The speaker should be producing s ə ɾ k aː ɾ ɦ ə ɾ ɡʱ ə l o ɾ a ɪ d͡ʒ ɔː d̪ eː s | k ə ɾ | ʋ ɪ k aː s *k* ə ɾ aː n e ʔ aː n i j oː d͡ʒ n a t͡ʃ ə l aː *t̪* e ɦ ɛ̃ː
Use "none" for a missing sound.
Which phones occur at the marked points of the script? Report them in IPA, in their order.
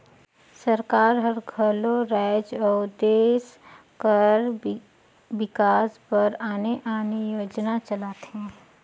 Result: p, t̪

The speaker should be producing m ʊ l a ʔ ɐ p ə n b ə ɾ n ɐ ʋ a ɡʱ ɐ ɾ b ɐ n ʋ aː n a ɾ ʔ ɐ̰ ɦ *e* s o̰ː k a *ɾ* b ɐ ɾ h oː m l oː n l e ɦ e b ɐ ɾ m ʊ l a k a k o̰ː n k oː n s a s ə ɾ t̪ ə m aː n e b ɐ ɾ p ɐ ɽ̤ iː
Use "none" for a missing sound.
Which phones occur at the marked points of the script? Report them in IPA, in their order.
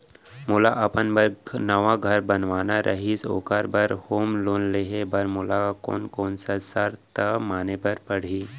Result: i, ɾ

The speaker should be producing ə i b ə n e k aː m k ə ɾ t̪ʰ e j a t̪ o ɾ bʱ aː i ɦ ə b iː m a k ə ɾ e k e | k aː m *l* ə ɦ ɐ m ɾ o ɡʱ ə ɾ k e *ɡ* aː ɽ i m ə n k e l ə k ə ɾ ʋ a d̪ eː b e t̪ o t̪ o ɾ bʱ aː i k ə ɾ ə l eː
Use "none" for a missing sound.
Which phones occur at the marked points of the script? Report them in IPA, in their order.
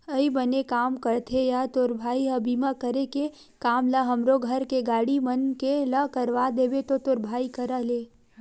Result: l, ɡ

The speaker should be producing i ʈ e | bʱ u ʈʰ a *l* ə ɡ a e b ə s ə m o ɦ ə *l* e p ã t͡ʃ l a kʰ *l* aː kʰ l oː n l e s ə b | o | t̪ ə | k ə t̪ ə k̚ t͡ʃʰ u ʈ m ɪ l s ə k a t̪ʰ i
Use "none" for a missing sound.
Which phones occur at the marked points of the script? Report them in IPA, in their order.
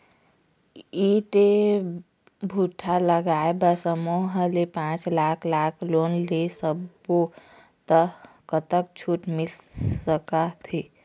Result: l, l, l

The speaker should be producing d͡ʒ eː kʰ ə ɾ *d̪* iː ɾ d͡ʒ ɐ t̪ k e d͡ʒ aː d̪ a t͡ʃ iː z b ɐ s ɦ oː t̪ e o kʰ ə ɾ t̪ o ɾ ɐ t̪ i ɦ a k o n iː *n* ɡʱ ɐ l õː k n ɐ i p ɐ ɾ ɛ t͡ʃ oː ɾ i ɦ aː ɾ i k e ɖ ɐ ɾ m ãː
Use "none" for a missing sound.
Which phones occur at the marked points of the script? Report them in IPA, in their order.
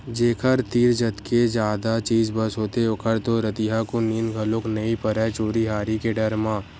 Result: t̪, n

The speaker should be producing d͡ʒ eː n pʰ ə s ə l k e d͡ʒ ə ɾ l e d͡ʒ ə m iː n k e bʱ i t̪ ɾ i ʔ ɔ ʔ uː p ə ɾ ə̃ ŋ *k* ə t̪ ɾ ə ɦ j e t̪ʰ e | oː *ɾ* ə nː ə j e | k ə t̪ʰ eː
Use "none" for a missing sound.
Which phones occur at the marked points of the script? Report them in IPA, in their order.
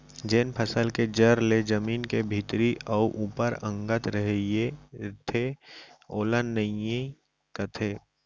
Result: ɡ, l

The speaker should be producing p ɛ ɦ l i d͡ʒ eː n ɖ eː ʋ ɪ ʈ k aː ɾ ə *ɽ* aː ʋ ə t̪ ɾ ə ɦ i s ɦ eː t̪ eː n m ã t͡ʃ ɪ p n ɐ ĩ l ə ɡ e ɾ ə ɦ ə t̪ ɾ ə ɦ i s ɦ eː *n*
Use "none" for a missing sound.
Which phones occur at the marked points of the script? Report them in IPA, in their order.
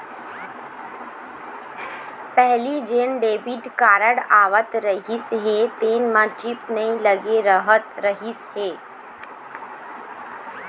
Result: ɽ, none

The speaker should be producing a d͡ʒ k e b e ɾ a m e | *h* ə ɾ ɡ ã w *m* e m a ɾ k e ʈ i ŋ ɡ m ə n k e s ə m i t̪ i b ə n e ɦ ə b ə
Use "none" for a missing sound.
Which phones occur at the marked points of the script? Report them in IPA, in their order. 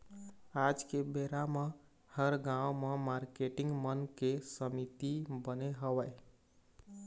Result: h, m

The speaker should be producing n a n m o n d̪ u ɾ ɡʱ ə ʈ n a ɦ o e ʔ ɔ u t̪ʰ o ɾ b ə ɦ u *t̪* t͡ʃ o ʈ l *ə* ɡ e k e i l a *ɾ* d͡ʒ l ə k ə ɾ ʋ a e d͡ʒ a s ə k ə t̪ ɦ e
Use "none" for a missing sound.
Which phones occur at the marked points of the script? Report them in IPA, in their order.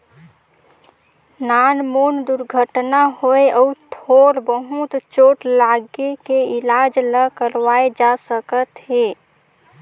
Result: t̪, a, none

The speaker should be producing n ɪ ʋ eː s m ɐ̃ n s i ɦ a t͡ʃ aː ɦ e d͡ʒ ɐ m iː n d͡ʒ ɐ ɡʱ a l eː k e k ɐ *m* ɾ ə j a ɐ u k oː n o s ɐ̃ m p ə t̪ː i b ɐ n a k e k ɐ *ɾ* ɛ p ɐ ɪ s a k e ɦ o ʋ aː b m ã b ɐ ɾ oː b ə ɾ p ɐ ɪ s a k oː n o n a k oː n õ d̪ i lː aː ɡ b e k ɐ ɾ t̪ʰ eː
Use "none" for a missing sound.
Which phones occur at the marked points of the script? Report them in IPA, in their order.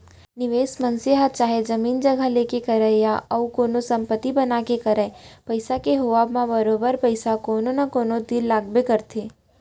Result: none, ɾ

